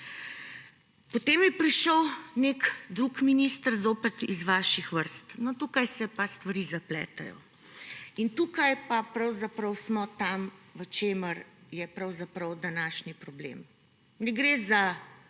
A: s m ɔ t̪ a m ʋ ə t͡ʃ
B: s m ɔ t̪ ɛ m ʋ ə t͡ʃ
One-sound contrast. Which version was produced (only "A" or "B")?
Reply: A